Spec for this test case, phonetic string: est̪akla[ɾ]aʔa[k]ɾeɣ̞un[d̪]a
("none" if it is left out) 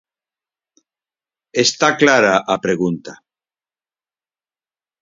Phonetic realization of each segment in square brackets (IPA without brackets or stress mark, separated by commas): ɾ, p, t̪